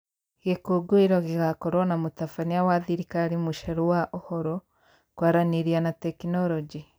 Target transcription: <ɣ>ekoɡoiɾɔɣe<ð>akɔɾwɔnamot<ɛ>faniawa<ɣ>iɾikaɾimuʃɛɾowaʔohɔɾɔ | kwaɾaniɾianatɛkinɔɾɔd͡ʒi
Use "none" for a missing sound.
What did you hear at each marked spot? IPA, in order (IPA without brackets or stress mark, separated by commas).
ɣ, ɣ, a, ð